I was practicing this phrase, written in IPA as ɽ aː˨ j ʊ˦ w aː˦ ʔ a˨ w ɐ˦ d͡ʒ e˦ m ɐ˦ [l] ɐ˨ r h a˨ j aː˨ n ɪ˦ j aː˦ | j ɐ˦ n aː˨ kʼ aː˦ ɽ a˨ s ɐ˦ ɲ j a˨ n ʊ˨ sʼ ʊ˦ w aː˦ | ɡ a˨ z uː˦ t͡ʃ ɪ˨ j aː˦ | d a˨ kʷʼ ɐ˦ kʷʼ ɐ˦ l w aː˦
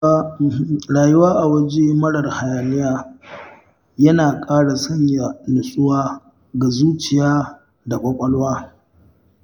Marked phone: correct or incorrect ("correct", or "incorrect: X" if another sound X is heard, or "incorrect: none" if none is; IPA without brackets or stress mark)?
incorrect: ɽ